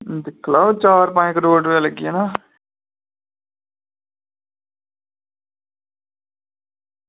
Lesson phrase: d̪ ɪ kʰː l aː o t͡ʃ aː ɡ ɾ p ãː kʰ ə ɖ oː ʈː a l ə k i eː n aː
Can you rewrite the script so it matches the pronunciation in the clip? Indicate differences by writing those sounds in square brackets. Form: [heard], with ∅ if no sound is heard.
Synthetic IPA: d̪ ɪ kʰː l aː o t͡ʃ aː [∅] ɾ p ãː [k] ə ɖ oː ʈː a l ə [ɡ] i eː n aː

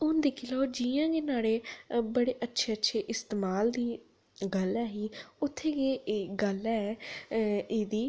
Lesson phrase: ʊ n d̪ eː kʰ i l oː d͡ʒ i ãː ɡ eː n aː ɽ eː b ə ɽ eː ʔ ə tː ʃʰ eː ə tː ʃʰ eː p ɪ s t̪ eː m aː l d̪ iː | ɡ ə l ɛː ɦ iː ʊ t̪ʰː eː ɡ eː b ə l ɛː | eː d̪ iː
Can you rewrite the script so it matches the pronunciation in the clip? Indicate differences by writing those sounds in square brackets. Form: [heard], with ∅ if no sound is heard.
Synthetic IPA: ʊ n d̪ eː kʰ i l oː d͡ʒ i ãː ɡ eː n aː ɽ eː b ə ɽ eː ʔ ə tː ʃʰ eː ə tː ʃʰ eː [ʔ] ɪ s t̪ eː m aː l d̪ iː | ɡ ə l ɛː ɦ iː ʊ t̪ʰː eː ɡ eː [ɡ] ə l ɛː | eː d̪ iː

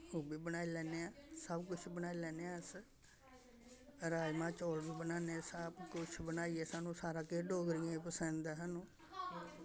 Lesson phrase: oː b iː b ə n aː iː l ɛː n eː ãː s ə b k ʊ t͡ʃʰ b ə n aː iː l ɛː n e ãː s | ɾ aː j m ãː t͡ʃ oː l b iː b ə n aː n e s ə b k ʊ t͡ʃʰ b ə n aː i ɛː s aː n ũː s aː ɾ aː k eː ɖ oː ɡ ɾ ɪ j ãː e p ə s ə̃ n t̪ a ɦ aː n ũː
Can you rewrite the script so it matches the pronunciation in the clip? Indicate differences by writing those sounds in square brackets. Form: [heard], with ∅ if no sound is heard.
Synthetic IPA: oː b iː b ə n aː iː l ɛː n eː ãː s ə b k ʊ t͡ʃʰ b ə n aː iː l ɛː n e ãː s | ɾ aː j m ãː t͡ʃ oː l b iː b ə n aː n e s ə b k ʊ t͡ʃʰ b ə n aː i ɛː s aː n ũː s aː ɾ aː k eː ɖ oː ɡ ɾ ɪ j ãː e p ə s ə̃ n [d̪] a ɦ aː n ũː

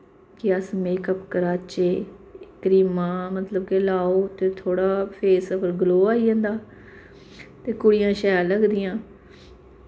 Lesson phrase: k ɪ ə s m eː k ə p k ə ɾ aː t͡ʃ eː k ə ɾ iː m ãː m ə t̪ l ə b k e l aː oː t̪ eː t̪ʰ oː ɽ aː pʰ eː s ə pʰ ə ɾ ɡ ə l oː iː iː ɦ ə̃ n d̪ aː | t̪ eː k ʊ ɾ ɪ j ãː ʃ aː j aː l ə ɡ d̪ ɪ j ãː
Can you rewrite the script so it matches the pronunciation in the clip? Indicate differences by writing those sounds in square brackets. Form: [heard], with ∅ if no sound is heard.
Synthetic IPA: k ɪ ə s m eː k ə p k ə ɾ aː t͡ʃ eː k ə ɾ iː m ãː m ə t̪ l ə b k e l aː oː t̪ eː t̪ʰ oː ɽ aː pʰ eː s ə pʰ ə ɾ ɡ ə l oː [aː] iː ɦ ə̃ n d̪ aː | t̪ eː k ʊ [ɽ] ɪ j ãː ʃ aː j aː l ə ɡ d̪ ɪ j ãː

